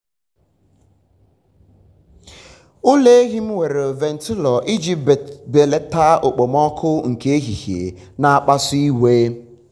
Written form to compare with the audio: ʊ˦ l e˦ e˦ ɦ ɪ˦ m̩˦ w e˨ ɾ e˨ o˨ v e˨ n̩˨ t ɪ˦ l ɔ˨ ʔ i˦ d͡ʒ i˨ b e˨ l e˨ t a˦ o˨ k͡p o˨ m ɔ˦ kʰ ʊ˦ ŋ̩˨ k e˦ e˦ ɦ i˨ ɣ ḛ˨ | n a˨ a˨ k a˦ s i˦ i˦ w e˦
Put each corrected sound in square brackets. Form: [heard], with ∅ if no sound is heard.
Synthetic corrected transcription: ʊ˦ l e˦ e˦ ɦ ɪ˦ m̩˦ w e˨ ɾ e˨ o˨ v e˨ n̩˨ t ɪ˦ l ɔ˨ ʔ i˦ d͡ʒ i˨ b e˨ l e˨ t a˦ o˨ k͡p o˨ m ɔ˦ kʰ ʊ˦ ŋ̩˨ k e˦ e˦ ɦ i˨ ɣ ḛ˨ | n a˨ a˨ [k͡p] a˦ s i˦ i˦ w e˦